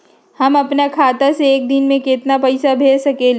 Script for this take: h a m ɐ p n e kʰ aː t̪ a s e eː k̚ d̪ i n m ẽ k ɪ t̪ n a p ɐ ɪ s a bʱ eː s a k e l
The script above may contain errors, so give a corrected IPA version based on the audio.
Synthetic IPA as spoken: h ɐ m ɐ p n a kʰ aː t̪ a s e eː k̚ d̪ ɪ n m ẽ k ɪ t̪ n a p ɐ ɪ s a bʱ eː s ɐ k e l